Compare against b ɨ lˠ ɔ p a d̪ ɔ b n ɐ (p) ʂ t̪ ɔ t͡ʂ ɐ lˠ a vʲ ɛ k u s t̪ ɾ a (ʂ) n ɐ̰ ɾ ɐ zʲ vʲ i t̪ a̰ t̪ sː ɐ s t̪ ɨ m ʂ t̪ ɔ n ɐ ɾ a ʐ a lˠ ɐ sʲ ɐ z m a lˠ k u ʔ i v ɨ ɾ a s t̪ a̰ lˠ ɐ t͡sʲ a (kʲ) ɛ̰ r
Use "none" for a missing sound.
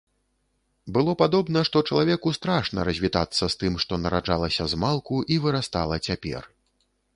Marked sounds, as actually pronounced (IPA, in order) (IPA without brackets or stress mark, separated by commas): none, ʂ, pʲ